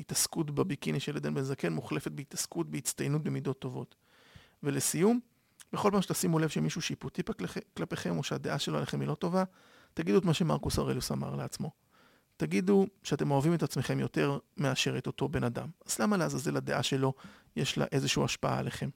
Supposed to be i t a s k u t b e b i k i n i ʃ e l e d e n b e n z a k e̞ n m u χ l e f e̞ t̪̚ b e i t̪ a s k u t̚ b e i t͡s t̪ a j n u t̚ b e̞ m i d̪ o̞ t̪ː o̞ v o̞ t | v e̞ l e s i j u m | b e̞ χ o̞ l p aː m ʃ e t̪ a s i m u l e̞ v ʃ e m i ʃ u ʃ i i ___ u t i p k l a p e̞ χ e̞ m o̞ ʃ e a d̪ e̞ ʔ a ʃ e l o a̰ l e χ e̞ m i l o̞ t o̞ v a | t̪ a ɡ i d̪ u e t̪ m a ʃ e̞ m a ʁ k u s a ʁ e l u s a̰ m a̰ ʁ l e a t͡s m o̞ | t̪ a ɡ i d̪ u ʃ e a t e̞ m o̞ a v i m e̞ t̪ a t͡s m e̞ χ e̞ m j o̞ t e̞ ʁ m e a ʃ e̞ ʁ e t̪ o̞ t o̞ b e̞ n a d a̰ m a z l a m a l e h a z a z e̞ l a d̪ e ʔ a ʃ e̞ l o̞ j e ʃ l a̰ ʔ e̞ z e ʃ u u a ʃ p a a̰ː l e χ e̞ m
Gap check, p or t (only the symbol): p